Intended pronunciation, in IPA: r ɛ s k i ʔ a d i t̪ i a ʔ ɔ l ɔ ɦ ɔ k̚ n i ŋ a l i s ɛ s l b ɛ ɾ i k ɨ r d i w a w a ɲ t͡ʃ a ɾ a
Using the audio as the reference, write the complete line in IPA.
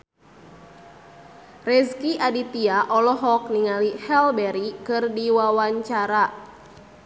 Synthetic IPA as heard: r ɛ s k i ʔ a d i t̪ i a ʔ ɔ l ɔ ɦ ɔ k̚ n i ŋ a l i h ɛ l b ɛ ɾ i k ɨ r d i w a w a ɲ t͡ʃ a ɾ a